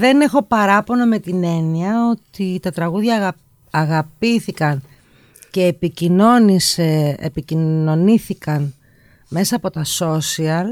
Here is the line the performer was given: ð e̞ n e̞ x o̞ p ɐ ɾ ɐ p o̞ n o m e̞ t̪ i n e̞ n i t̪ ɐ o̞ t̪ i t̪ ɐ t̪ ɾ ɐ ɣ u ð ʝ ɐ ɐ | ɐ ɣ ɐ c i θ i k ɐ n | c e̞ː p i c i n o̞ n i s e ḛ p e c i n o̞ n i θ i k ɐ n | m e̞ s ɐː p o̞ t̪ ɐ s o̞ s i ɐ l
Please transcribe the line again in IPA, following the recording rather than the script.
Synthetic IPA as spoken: ð e̞ n e̞ x o̞ p ɐ ɾ ɐ p o̞ n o m e̞ t̪ i n e̞ n i ɐ o̞ t̪ i t̪ ɐ t̪ ɾ ɐ ɣ u ð ʝ ɐ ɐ | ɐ ɣ ɐ p i θ i k ɐ n | c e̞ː p i c i n o̞ n i s e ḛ p i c i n o̞ n i θ i k ɐ n | m e̞ s ɐː p o̞ t̪ ɐ s o̞ s i ɐ l